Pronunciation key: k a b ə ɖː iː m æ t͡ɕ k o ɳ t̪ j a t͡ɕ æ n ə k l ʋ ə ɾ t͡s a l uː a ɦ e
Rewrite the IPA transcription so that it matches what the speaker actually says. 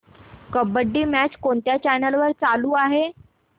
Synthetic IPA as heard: k ə b ə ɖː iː m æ t͡ɕ k o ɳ t̪ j a t͡ɕ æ n ə l ʋ ə ɾ t͡s a l uː a ɦ e